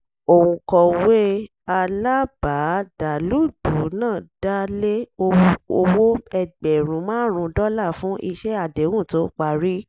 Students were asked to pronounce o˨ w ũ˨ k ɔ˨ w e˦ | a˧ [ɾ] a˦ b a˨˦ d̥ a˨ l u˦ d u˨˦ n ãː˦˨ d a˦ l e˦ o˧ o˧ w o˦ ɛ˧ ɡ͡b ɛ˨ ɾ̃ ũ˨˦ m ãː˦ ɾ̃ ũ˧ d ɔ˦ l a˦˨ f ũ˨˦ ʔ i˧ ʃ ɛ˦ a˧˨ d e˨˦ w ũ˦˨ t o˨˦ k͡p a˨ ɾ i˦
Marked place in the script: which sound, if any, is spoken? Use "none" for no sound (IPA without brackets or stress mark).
l